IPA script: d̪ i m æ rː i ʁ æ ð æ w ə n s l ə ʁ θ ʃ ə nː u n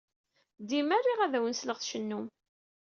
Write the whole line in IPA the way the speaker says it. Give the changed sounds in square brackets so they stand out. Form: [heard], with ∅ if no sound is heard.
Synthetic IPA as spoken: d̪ i m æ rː i ʁ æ ð æ w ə n s l ə ʁ θ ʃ ə nː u [m]